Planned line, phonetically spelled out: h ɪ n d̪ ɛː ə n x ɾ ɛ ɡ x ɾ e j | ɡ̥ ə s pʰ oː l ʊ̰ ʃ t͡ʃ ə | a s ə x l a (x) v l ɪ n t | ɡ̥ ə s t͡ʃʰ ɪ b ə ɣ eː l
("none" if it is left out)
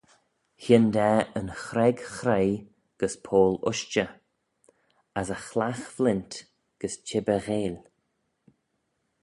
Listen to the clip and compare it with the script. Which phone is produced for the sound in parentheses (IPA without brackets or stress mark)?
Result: x